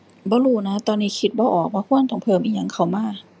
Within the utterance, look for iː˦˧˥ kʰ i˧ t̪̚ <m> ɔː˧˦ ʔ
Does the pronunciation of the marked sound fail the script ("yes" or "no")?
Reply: yes